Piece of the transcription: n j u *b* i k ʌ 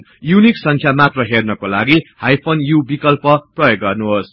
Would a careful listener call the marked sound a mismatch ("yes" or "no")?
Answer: no